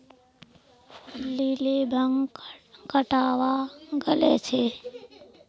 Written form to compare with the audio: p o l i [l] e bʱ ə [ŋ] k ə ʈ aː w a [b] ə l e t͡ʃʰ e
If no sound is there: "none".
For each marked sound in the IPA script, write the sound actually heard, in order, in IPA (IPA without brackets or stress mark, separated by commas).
l, ŋ, ɡ